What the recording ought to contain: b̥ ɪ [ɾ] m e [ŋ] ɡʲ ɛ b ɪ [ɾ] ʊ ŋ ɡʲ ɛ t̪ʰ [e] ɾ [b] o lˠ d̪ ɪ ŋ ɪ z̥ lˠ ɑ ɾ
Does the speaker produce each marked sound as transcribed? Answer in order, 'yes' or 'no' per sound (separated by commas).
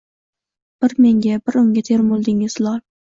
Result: yes, yes, yes, yes, no